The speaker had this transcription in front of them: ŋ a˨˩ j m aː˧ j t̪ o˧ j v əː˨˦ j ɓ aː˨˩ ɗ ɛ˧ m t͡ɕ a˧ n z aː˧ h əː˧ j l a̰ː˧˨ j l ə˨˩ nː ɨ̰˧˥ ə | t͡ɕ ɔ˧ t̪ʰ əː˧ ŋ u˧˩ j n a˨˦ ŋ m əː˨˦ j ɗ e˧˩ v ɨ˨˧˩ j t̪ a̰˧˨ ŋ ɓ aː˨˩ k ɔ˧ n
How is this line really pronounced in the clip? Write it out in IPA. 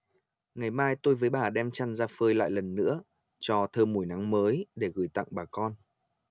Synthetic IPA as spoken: ŋ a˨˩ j m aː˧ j t̪ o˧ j v əː˨˦ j ɓ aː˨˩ ɗ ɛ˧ m t͡ɕ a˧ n z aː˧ f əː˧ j l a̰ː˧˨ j l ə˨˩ nː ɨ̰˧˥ ə | t͡ɕ ɔ˧ t̪ʰ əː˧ m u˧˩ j n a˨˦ ŋ m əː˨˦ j ɗ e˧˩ ɣ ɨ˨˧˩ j t̪ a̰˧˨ ŋ ɓ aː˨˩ k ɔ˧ n